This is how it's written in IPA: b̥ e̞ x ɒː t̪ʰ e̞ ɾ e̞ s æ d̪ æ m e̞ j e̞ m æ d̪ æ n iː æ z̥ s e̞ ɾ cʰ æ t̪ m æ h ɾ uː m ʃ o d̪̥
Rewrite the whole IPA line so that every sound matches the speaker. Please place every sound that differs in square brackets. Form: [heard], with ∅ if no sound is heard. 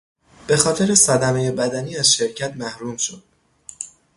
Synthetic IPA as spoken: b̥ e̞ x ɒː t̪ʰ e̞ ɾ e̞ s æ d̪ æ m e̞ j e̞ [b] æ d̪ æ n iː æ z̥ [ʃ] e̞ ɾ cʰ æ t̪ m æ h ɾ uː m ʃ o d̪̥